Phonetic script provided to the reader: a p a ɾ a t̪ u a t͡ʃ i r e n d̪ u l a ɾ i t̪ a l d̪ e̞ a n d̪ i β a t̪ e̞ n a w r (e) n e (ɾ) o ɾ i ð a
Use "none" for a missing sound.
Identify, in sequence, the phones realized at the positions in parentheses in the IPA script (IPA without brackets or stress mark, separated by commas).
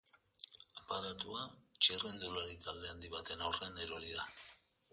e, ɾ